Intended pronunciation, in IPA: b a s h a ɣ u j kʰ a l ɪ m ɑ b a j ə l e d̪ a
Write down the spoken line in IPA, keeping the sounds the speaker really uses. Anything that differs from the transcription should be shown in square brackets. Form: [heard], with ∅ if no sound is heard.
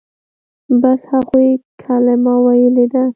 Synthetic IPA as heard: b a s h a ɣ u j kʰ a l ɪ m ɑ [w] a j ə l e d̪ a